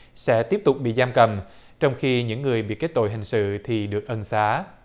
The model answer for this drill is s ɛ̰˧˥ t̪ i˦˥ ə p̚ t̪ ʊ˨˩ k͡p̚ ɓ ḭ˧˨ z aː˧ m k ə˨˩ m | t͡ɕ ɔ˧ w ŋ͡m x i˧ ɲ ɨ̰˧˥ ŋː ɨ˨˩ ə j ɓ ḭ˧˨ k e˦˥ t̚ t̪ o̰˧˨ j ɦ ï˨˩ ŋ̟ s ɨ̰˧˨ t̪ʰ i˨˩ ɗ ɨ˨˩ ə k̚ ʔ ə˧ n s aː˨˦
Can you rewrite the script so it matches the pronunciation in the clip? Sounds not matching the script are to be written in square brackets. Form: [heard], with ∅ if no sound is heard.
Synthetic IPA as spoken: s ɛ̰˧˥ t̪ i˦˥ ə p̚ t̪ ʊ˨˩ k͡p̚ ɓ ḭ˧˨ z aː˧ m k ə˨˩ m | t͡ɕ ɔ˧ w ŋ͡m x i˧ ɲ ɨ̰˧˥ ŋː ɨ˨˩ ə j ɓ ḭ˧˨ k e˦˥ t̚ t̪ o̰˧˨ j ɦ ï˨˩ ŋ̟ s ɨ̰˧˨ t̪ʰ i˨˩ ɗ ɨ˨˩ ə k̚ ʔ ə˧ n s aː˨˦